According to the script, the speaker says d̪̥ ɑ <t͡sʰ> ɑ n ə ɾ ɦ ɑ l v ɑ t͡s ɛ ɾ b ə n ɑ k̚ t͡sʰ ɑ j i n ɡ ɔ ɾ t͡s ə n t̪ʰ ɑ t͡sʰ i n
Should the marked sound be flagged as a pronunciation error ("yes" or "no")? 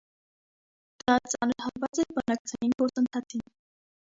yes